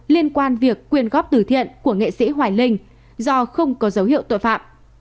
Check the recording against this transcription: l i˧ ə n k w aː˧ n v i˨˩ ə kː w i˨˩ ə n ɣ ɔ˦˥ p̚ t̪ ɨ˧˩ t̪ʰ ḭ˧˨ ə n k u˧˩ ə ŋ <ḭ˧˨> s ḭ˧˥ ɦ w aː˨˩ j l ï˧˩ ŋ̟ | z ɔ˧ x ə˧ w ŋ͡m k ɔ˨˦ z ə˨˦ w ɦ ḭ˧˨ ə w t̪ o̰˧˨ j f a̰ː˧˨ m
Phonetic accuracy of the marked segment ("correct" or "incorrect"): incorrect